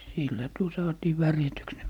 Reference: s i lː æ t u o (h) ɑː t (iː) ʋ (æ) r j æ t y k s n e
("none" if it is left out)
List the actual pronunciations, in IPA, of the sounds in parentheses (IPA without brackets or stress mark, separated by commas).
s, iː, æ